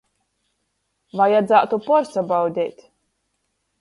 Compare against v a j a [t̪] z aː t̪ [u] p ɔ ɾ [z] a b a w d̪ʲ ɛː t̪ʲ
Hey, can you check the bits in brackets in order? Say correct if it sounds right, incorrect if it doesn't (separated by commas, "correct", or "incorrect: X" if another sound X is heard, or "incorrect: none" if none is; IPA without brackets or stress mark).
incorrect: d̪, correct, incorrect: s